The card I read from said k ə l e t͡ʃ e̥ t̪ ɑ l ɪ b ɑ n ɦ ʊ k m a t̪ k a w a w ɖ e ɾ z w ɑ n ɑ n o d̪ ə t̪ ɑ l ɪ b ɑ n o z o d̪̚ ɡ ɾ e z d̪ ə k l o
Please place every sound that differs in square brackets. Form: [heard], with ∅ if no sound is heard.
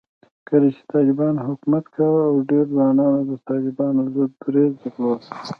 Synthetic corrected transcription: k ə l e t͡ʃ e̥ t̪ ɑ l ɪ b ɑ n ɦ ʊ k m a t̪ k a w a w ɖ e ɾ z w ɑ n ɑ n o d̪ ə t̪ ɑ l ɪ b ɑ n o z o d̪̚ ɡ ɾ e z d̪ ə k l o